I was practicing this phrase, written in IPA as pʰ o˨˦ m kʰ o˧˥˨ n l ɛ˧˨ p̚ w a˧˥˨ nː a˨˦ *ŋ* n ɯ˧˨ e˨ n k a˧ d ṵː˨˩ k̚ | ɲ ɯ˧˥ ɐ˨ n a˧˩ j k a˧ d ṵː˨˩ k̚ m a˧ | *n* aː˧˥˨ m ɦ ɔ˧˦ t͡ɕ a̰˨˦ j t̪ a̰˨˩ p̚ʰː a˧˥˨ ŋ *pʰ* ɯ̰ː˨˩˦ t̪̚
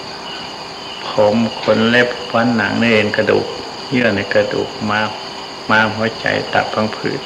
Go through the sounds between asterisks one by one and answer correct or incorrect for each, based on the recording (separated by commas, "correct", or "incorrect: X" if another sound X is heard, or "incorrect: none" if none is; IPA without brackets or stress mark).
correct, incorrect: m, correct